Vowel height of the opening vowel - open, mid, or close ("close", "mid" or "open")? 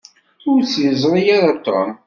close